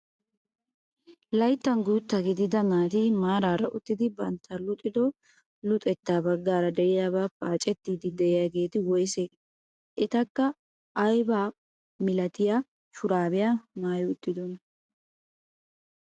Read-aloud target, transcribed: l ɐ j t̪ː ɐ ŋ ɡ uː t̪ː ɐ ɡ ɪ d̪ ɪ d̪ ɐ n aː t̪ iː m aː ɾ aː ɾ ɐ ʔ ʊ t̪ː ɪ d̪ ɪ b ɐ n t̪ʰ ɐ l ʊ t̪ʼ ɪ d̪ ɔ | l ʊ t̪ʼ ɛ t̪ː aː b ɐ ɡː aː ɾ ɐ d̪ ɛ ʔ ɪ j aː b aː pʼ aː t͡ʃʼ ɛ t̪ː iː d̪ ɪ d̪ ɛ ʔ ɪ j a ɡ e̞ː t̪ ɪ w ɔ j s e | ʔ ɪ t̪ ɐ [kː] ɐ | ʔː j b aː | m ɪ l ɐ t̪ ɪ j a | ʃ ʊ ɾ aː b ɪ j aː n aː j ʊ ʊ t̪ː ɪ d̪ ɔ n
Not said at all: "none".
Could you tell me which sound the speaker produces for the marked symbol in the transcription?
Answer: kː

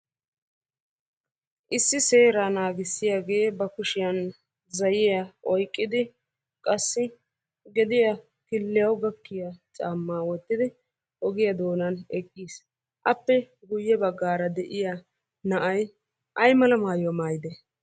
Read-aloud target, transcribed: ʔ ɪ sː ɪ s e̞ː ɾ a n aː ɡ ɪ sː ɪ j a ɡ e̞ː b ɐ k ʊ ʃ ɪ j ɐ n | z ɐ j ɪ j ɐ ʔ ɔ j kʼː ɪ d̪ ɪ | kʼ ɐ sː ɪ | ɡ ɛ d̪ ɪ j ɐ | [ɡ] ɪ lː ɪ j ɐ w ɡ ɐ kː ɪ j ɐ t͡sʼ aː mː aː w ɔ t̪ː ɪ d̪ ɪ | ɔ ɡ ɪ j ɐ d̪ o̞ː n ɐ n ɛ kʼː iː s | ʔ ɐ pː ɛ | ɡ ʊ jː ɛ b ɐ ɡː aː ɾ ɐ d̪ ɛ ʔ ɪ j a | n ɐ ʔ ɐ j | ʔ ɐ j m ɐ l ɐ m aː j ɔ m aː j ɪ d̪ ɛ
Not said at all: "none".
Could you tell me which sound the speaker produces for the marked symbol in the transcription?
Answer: k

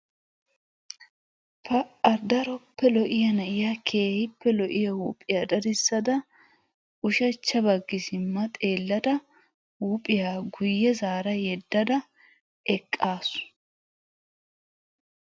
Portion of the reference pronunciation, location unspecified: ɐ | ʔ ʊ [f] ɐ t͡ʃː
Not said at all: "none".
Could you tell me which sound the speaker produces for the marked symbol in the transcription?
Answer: ʃ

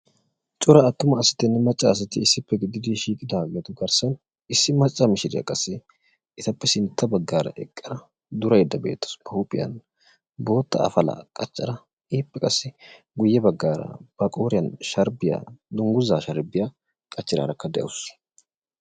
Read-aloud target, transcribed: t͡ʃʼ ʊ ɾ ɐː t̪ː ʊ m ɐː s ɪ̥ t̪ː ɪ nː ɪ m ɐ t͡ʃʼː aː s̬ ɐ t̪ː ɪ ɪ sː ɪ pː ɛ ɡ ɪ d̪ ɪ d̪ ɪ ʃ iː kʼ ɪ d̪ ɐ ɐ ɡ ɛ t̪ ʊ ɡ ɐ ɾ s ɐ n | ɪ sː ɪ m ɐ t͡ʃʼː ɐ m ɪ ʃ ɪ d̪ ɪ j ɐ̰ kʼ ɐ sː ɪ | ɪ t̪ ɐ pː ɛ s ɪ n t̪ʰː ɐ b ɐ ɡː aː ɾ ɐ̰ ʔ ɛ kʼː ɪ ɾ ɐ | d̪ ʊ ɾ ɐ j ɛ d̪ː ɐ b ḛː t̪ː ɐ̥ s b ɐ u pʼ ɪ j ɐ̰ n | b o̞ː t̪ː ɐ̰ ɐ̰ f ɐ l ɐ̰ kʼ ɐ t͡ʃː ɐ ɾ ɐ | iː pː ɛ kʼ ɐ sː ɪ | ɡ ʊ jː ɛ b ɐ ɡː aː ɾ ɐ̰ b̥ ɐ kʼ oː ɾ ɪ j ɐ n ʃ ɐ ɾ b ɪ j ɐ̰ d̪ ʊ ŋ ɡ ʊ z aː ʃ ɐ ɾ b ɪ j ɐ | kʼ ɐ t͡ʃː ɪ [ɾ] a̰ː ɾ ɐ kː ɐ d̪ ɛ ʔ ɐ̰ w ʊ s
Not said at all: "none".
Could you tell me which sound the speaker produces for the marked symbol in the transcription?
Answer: ɾ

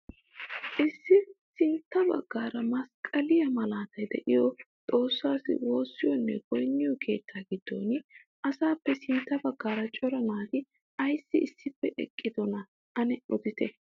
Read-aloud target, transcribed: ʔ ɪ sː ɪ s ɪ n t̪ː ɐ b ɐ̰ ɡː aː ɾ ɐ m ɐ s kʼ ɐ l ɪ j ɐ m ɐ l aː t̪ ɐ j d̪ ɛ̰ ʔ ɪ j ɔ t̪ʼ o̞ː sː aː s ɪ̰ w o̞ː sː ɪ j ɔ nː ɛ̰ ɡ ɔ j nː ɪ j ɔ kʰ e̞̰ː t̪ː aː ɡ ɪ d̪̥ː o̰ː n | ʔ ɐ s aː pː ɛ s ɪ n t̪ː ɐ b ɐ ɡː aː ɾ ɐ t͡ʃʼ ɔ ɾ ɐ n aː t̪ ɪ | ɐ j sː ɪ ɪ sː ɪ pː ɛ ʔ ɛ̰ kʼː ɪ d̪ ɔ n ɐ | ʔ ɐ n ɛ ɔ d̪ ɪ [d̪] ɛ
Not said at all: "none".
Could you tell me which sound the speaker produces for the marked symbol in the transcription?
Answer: t̪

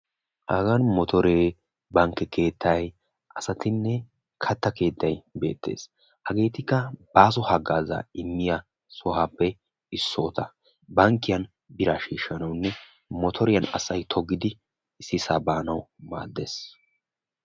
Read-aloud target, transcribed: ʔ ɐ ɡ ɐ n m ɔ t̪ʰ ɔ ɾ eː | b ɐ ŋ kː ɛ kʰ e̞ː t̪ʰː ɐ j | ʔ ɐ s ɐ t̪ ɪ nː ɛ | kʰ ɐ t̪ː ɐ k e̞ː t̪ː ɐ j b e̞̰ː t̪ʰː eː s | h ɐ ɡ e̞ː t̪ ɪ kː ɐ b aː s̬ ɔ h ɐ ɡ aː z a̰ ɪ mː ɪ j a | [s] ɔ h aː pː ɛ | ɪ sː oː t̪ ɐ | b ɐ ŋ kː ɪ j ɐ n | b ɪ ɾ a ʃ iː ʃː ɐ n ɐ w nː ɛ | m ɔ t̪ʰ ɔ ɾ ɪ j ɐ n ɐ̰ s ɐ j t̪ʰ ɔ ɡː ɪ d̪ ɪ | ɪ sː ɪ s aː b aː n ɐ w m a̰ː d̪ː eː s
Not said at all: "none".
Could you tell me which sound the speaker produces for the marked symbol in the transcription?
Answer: s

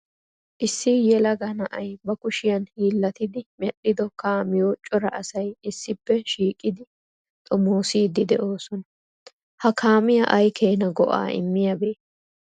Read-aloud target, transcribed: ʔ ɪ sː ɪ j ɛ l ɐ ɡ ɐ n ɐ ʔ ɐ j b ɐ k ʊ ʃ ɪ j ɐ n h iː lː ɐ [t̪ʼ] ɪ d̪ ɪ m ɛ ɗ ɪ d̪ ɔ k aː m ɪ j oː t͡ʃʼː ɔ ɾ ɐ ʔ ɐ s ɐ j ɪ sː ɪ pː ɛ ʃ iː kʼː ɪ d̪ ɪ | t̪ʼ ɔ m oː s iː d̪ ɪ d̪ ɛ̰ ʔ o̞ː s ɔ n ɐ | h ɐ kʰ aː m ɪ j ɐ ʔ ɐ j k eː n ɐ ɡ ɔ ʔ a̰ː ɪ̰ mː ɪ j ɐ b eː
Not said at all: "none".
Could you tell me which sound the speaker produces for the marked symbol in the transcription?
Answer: t̪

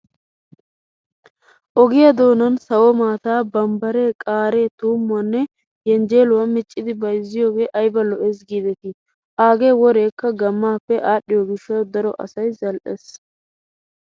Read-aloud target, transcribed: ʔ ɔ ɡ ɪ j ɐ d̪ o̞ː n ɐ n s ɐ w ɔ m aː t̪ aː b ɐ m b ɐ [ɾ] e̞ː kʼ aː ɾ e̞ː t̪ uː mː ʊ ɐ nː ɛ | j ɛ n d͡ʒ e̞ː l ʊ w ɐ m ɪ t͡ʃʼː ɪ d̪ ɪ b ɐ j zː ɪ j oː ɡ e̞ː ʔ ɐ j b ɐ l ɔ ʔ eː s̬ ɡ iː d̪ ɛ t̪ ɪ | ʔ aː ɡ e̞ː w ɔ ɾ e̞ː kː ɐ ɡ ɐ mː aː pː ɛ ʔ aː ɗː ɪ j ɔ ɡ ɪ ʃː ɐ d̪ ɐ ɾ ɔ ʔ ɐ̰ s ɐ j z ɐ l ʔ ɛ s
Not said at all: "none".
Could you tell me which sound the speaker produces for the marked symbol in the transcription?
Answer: ɾ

